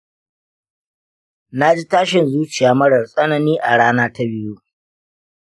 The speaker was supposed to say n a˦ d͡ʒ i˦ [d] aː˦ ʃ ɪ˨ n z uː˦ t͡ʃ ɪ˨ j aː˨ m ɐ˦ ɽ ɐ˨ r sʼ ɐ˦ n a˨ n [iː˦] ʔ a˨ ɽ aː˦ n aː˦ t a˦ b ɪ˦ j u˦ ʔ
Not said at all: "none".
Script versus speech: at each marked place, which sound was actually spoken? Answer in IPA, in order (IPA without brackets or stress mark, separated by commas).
t, iː˦